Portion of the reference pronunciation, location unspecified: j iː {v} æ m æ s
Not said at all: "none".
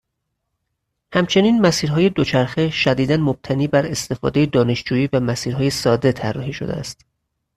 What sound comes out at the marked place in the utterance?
v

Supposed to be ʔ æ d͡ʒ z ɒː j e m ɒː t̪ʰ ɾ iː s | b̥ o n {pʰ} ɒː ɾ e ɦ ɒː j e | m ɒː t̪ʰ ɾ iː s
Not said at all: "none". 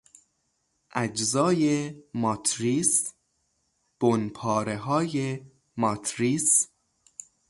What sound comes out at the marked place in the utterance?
pʰ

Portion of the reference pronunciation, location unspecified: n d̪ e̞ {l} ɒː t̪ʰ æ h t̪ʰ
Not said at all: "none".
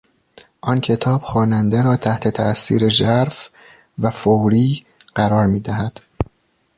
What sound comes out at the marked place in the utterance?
ɾ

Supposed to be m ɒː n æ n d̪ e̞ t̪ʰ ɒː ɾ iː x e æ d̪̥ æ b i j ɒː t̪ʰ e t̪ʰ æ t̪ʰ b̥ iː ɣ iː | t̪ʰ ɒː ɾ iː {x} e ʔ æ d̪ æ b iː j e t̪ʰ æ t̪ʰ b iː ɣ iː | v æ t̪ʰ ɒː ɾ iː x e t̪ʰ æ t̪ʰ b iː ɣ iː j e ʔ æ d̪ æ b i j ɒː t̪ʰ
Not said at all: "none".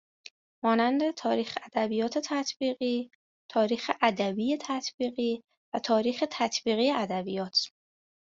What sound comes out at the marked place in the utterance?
x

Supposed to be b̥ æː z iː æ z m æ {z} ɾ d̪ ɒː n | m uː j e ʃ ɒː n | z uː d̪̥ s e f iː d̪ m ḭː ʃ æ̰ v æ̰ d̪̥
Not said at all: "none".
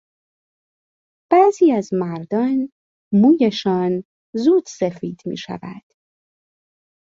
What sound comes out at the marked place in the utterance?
none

